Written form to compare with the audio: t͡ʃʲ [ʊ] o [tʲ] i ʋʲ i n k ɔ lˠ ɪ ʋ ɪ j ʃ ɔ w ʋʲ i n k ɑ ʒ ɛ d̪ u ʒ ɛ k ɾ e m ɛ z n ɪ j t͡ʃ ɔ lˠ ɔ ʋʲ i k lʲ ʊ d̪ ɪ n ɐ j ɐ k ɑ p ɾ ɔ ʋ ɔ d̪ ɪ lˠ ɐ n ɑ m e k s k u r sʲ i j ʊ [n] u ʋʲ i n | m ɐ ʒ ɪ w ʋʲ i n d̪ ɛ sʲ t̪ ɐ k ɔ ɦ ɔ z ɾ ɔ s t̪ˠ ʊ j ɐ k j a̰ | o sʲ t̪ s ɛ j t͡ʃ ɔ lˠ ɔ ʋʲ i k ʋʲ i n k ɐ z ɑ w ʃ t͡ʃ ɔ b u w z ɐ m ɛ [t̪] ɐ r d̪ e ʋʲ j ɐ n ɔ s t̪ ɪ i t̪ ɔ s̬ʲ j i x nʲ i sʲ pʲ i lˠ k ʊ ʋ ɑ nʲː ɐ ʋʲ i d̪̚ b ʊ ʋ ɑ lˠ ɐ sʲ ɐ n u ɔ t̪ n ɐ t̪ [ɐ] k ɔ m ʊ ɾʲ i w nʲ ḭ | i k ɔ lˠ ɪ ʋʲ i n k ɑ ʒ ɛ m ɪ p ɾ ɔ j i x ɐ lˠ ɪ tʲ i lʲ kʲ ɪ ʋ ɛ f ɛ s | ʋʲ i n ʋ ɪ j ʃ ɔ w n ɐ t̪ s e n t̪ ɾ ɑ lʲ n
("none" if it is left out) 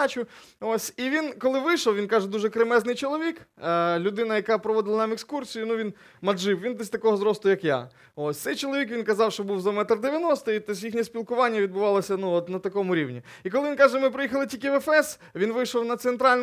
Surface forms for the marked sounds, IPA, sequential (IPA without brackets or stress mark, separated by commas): ʊ, sʲ, n, t̪, ɐ